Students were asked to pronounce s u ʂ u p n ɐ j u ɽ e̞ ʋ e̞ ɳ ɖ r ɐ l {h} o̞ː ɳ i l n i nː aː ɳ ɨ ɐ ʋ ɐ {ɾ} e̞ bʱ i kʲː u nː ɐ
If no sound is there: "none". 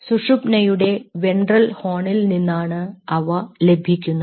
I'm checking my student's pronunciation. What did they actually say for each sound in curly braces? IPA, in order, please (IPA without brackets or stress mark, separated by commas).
h, l